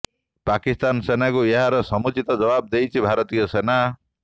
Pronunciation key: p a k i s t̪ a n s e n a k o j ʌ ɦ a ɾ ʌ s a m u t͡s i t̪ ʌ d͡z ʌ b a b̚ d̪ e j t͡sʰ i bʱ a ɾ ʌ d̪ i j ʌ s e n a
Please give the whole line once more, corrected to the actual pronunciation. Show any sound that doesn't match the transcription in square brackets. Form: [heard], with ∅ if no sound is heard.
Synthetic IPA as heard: p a k i s t̪ a n s e n a k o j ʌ ɦ a ɾ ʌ s [ʌ] m u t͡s i t̪ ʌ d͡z ʌ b a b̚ d̪ e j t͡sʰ i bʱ a ɾ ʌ [t̪] i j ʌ s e n a

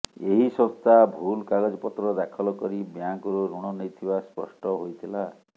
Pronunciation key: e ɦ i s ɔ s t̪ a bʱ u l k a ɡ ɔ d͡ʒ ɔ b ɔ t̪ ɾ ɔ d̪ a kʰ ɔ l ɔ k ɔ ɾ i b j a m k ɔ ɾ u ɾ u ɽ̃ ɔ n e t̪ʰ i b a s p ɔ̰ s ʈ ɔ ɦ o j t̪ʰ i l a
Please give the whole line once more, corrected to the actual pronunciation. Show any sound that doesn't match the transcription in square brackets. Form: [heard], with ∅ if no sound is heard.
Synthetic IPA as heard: e ɦ i s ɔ s t̪ a bʱ u l k a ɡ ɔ d͡ʒ ɔ [p] ɔ t̪ ɾ ɔ d̪ a kʰ ɔ l ɔ k ɔ ɾ i b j a [ŋ] k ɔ ɾ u ɾ u ɽ̃ ɔ n e t̪ʰ i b a s p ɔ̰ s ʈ ɔ ɦ o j t̪ʰ i l a

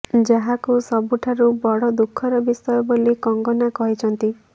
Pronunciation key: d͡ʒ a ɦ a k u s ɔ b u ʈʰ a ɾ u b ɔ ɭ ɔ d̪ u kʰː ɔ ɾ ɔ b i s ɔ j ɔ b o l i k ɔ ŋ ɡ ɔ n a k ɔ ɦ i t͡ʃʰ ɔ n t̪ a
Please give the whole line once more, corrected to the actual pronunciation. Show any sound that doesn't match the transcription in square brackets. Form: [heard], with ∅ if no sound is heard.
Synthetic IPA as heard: d͡ʒ a ɦ a k u s ɔ b u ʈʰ a ɾ u b ɔ [ɽ] ɔ d̪ u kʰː ɔ ɾ ɔ b i s ɔ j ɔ b o l i k ɔ ŋ ɡ ɔ n a k ɔ ɦ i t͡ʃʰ ɔ n t̪ [i]

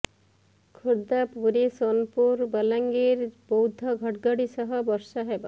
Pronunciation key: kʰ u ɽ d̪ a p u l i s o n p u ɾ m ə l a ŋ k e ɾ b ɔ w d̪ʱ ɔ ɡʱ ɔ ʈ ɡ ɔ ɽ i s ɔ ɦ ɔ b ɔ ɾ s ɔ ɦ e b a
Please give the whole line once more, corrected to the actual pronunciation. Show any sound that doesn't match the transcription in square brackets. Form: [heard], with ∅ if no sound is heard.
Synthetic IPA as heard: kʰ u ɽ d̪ a p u [ɾ] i s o n p u ɾ [b] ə l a ŋ [ɡ] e ɾ b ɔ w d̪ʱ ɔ ɡʱ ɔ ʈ ɡ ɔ ɽ i s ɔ ɦ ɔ b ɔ ɾ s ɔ ɦ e b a

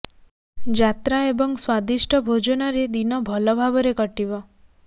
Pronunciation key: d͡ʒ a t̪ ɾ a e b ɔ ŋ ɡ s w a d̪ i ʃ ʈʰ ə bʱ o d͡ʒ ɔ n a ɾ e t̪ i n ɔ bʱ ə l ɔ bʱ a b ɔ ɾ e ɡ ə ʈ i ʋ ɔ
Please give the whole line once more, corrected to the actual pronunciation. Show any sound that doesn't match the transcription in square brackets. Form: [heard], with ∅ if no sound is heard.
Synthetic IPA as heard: d͡ʒ a t̪ ɾ a e b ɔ ŋ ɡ s w a d̪ i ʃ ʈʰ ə bʱ o d͡ʒ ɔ n a ɾ e [d̪] i n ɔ bʱ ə l ɔ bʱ a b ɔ ɾ e [k] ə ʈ i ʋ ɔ

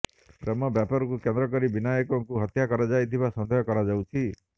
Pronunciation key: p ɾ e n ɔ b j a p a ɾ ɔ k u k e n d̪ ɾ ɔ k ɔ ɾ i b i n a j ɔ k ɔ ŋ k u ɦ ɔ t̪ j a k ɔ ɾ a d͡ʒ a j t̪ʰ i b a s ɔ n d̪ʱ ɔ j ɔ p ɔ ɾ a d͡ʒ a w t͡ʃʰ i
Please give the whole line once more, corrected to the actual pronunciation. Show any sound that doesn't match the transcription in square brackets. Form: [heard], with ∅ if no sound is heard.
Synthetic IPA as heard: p ɾ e [m] ɔ b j a p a ɾ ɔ k u k e n d̪ ɾ ɔ k ɔ ɾ i b i n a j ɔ k ɔ ŋ k u ɦ ɔ t̪ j a k ɔ ɾ a d͡ʒ a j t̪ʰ i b a s ɔ n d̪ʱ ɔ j ɔ [k] ɔ ɾ a d͡ʒ a w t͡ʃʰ i

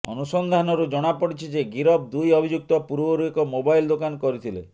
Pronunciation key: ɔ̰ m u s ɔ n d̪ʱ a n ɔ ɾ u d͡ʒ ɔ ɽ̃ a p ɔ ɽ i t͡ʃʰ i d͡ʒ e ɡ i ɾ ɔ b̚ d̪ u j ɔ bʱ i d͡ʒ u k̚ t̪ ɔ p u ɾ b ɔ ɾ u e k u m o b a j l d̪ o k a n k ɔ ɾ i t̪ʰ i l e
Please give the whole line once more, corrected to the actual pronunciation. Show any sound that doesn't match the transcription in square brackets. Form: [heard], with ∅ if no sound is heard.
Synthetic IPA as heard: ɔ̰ [n] u s ɔ n d̪ʱ a n ɔ ɾ u d͡ʒ ɔ ɽ̃ a p ɔ ɽ i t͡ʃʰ i d͡ʒ e ɡ i ɾ ɔ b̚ d̪ u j ɔ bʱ i d͡ʒ u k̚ t̪ ɔ p u ɾ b ɔ ɾ u e k [ɔ] m o b a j l d̪ o k a n k ɔ ɾ i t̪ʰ i l e

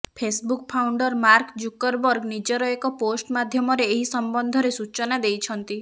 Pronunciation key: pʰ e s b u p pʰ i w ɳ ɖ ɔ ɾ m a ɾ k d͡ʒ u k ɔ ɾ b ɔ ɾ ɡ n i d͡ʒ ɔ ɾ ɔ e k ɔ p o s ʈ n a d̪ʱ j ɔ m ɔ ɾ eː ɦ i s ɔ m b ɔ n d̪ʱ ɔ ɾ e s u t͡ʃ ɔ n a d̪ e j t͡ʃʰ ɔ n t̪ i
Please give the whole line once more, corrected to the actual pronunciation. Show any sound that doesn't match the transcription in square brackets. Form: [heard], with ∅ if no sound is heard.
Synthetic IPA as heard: pʰ e s b u [k] pʰ [a] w ɳ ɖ ɔ ɾ m a ɾ k d͡ʒ u k ɔ ɾ b ɔ ɾ ɡ n i d͡ʒ ɔ ɾ ɔ e k ɔ p o s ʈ [m] a d̪ʱ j ɔ m ɔ ɾ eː ɦ i s ɔ m b ɔ n d̪ʱ ɔ ɾ e s u t͡ʃ ɔ n a d̪ e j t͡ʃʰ ɔ n t̪ i

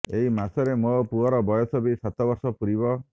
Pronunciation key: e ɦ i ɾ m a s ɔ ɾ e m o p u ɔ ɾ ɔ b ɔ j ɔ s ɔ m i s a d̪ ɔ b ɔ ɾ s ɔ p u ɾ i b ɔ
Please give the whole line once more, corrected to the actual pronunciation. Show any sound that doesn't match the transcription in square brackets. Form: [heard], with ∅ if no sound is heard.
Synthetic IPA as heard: e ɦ i [∅] m a s ɔ ɾ e m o p u ɔ ɾ ɔ b ɔ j ɔ s ɔ [b] i s a [t̪] ɔ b ɔ ɾ s ɔ p u ɾ i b ɔ

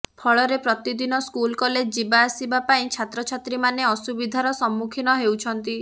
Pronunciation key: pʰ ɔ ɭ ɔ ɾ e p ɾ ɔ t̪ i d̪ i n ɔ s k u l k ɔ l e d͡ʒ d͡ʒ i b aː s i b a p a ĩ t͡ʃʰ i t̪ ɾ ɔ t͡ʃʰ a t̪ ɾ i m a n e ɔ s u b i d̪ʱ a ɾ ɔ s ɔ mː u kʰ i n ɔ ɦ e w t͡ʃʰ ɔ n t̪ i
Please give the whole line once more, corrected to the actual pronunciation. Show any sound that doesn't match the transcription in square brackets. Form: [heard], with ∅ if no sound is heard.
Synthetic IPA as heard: pʰ ɔ ɭ ɔ ɾ e p ɾ ɔ t̪ i d̪ i n ɔ s k u l k ɔ l e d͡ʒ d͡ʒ i b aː s i b a p a ĩ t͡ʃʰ [a] t̪ ɾ ɔ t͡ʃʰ a t̪ ɾ i m a n e ɔ s u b i d̪ʱ a ɾ ɔ s ɔ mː u kʰ i n ɔ ɦ e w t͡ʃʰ ɔ n t̪ i

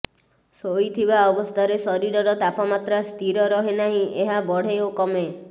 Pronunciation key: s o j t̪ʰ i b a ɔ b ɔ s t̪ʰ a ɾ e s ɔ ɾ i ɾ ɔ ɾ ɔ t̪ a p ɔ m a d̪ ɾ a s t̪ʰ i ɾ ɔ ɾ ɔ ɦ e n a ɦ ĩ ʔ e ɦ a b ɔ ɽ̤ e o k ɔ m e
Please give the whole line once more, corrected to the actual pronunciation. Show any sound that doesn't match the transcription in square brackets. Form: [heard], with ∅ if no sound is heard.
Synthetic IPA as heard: s o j t̪ʰ i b a ɔ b ɔ s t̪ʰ a ɾ e s ɔ ɾ i ɾ ɔ ɾ ɔ t̪ a p ɔ m a [t̪] ɾ a s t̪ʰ i ɾ ɔ ɾ ɔ ɦ e n a ɦ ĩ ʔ e ɦ a b ɔ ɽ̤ e o k ɔ m e

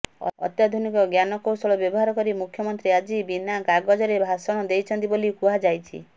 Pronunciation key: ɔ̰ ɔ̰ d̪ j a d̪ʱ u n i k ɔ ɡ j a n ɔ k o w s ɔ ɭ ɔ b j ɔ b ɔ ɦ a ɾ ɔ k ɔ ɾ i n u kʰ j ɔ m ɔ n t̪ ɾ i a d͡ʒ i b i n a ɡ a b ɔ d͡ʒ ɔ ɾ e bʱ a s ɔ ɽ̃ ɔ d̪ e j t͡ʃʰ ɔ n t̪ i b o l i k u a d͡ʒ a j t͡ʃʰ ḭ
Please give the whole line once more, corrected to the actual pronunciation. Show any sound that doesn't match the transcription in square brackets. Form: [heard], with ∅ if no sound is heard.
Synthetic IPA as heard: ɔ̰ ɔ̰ [t̪] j a d̪ʱ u n i k ɔ ɡ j a n ɔ k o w s ɔ ɭ ɔ b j ɔ b ɔ ɦ a ɾ ɔ k ɔ ɾ i [m] u kʰ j ɔ m ɔ n t̪ ɾ i a d͡ʒ i b i n a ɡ a [ɡ] ɔ d͡ʒ ɔ ɾ e bʱ a s ɔ ɽ̃ ɔ d̪ e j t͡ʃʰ ɔ n t̪ i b o l i k u a d͡ʒ a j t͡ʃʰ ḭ

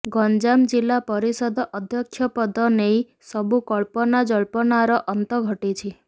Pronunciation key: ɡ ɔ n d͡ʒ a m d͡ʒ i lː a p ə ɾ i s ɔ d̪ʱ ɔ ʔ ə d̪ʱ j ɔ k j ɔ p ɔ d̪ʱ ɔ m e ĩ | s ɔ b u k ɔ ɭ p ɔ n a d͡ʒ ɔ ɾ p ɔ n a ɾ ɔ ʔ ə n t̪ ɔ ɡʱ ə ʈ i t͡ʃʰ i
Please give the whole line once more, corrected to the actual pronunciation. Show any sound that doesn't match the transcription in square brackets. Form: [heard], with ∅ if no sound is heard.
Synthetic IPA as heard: ɡ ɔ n d͡ʒ a m d͡ʒ i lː a p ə ɾ i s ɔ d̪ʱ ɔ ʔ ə d̪ʱ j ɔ [kʰ] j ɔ p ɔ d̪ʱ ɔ [n] e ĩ | s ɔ b u k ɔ ɭ p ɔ n a d͡ʒ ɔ [ɭ] p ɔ n a ɾ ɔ ʔ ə n t̪ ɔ ɡʱ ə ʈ i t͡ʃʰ i

